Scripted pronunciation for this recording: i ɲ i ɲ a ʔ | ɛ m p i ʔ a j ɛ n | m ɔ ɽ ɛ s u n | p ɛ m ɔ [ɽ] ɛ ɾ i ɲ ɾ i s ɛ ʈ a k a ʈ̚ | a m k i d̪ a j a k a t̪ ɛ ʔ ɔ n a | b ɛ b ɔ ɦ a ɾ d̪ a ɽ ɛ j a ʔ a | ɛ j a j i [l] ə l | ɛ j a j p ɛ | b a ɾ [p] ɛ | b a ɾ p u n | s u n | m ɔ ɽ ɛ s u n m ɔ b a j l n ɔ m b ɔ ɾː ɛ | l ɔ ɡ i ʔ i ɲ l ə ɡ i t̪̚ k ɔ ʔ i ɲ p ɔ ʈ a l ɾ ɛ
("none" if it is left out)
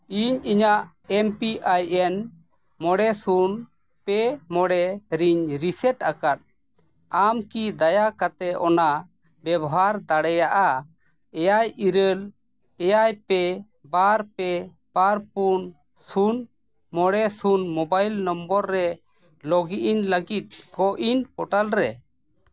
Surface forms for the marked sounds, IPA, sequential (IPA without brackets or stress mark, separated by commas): ɽ, ɾ, p